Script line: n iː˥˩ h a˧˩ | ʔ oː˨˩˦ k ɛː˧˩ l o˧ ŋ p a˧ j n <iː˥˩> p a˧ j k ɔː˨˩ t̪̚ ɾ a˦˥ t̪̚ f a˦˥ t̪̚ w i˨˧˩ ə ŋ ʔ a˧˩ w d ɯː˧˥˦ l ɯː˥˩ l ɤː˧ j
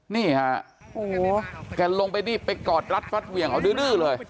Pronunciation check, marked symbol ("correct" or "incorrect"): correct